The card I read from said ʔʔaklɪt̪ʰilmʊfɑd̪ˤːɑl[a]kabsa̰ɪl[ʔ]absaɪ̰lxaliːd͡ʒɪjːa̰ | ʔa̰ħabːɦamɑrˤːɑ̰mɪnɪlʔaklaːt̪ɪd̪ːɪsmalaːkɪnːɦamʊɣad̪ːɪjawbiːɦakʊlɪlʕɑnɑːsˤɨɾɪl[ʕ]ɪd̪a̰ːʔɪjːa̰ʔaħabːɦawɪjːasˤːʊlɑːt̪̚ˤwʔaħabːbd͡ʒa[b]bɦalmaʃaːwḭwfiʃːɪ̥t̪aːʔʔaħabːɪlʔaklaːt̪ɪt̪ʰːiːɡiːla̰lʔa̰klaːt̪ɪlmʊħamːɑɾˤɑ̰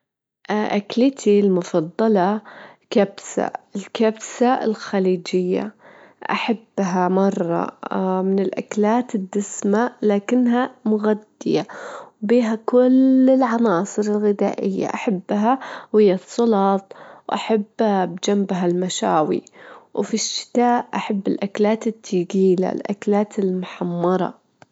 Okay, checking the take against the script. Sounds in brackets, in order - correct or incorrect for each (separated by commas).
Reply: incorrect, incorrect, incorrect, incorrect